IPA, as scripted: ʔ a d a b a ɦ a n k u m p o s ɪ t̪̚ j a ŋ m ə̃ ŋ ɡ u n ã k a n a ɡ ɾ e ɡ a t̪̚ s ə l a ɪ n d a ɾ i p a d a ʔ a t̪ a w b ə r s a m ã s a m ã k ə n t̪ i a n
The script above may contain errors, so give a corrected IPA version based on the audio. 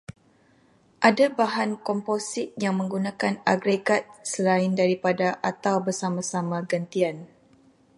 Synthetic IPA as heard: ʔ a d a b a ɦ a n k ɔ m p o s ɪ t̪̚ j a ŋ m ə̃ ŋ ɡ u n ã k a n a ɡ ɾ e ɡ a t̪̚ s ə l a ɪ n d a ɾ i p a d a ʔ a t̪ a w b ə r s a m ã s a m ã ɡ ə n t̪ i a n